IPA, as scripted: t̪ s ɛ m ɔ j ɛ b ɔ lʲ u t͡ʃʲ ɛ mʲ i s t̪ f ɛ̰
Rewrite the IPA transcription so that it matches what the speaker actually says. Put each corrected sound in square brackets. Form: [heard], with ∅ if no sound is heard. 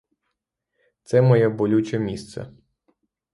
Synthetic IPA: t̪ s ɛ m ɔ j ɛ b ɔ lʲ u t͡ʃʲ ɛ mʲ i s t̪ [s] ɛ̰